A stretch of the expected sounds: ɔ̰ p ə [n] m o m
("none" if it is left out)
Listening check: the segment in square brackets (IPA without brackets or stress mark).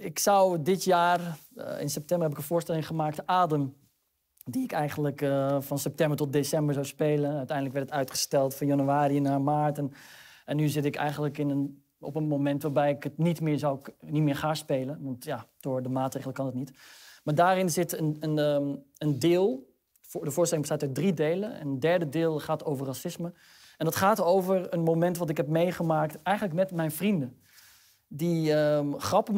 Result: n